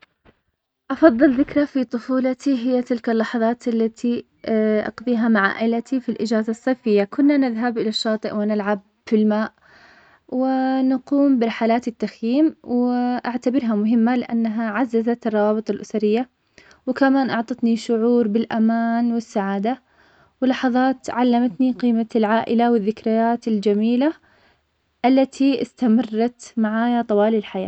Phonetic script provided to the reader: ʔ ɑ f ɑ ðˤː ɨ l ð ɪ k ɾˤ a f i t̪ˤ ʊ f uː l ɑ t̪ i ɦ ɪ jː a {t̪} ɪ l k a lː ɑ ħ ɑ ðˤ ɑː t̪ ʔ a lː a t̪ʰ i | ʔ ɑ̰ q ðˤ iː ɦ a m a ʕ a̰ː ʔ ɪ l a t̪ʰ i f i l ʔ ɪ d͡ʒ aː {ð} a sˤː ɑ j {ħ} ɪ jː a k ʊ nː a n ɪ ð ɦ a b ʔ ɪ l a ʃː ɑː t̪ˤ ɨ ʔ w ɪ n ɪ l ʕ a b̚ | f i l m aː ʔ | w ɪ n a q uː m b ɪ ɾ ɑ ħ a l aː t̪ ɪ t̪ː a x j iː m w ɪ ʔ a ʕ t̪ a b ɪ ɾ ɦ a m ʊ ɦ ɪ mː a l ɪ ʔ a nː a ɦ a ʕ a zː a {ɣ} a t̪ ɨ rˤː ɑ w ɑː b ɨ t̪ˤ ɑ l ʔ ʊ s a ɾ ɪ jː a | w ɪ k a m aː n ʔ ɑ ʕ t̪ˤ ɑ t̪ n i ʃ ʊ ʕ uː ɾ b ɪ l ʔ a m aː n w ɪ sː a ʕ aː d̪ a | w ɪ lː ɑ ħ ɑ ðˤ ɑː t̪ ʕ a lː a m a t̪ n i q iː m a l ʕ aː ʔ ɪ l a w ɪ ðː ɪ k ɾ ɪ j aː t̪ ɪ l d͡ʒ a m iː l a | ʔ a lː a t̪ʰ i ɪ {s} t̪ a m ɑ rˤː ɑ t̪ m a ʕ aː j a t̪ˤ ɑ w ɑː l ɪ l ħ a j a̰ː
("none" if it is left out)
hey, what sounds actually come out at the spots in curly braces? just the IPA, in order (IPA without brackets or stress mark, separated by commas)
t̪, z, f, z, s